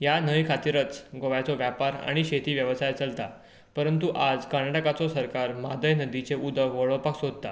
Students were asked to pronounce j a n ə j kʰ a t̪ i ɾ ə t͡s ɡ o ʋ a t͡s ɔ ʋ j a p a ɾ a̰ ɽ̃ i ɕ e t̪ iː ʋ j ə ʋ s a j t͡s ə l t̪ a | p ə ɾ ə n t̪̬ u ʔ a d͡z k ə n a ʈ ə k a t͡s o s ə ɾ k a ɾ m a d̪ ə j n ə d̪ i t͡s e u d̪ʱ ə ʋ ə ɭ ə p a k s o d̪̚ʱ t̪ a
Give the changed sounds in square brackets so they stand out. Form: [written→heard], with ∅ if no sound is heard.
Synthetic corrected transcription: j a n ə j kʰ a t̪ i ɾ ə t͡s ɡ o ʋ a t͡s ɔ ʋ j a p a ɾ a̰ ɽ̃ i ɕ e t̪ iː ʋ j ə ʋ s a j t͡s ə l t̪ a | p ə ɾ ə n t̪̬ u ʔ a d͡z k ə n a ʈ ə k a t͡s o s ə ɾ k a ɾ m a d̪ ə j n ə d̪ i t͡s e u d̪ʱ ə ʋ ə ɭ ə p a k s o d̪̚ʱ t̪ a